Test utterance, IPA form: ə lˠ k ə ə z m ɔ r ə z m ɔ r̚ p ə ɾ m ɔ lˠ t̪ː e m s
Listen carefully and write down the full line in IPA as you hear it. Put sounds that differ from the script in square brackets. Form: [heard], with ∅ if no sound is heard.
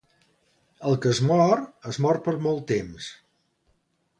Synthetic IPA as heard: ə lˠ k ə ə z m ɔ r ə z m ɔ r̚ p ə ɾ m ɔ lˠ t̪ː e m s